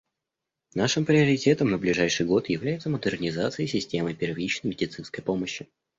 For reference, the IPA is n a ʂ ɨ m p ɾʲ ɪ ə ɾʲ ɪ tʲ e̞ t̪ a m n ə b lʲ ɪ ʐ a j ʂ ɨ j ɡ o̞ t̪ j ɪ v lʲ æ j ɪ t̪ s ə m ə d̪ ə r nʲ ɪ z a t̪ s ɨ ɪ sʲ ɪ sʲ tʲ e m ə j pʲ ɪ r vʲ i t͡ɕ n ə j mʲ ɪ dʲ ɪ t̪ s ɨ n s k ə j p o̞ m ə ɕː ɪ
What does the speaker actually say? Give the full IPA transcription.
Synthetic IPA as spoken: n a ʂ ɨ m p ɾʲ ɪ ə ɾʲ ɪ tʲ e̞ t̪ ə m n ə b lʲ ɪ ʐ a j ʂ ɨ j ɡ o̞ t̪ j ɪ v lʲ æ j ɪ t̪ s ə m ə d̪ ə r nʲ ɪ z a t̪ s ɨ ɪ sʲ ɪ sʲ tʲ e m ə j pʲ ɪ r vʲ i t͡ɕ n ə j mʲ ɪ dʲ ɪ t̪ s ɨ n s k ə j p o̞ m ə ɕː ɪ